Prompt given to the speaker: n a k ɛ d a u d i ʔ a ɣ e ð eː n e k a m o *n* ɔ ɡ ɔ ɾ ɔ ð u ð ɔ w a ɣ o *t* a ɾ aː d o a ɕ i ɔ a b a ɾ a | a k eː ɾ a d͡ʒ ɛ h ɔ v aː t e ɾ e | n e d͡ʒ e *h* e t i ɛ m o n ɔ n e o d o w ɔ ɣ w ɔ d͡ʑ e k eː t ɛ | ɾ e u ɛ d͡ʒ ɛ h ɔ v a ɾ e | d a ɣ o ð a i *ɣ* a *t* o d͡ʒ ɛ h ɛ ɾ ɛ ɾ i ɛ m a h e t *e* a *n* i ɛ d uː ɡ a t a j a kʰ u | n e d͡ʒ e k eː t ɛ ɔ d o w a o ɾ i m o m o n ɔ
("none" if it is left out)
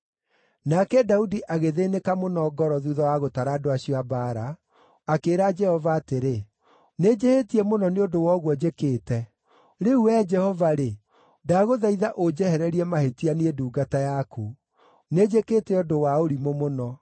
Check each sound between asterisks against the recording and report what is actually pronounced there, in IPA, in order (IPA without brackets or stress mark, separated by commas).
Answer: n, t, h, ð, ʔ, i, n